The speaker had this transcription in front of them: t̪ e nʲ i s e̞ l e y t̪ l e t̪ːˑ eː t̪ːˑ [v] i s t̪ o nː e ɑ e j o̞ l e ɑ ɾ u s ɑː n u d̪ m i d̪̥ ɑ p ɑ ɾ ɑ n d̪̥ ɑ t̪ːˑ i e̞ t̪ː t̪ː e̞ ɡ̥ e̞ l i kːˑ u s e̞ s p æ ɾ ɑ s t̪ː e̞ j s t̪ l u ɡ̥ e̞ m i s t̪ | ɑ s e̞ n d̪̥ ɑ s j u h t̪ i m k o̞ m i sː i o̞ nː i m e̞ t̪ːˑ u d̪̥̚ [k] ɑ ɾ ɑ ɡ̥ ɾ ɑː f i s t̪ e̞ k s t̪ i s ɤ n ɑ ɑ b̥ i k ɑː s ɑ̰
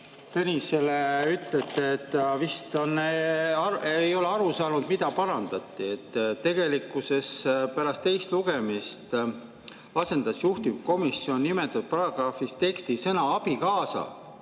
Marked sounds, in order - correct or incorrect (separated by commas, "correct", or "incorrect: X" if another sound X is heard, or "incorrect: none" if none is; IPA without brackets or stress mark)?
correct, incorrect: p